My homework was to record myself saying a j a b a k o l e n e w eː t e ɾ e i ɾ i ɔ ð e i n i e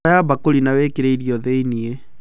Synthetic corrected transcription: a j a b a k o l i n a w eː k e ɾ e i ɾ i ɔ ð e i n i e